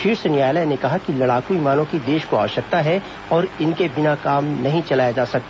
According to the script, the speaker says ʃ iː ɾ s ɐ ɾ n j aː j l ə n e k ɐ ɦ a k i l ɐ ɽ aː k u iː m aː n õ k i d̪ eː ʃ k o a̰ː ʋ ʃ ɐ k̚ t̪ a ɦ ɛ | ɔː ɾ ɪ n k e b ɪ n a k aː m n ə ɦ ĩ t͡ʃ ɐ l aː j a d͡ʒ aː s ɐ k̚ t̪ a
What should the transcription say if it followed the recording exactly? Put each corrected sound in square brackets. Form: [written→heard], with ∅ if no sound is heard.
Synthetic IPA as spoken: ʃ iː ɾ s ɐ [ɾ→∅] n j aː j l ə n e k ɐ ɦ a k i l ɐ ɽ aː k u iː m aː n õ k i d̪ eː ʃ k o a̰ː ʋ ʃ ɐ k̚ t̪ a ɦ ɛ | ɔː ɾ ɪ n k e b ɪ n a k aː m n [ə→ɐ] ɦ ĩ t͡ʃ ɐ l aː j a d͡ʒ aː s ɐ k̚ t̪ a